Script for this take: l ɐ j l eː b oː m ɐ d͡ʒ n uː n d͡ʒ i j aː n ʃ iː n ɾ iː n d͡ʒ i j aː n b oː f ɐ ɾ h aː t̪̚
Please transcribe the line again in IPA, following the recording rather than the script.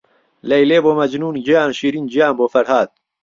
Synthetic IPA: l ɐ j l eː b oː m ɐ d͡ʒ n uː n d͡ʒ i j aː n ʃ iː ɾ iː n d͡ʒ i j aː n b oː f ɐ ɾ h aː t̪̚